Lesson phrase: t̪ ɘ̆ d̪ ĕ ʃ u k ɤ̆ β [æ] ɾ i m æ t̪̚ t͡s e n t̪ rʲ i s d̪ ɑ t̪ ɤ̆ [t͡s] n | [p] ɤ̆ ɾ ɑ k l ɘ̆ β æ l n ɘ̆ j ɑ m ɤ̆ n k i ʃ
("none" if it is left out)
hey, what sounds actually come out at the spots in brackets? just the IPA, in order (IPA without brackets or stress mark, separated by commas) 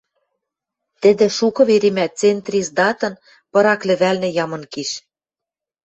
e, none, p